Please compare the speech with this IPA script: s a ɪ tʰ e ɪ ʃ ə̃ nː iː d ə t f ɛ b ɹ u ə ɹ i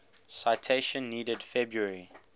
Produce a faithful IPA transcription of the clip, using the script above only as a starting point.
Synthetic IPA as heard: s a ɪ tʰ e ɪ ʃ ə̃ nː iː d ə d f ɛ b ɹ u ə ɹ i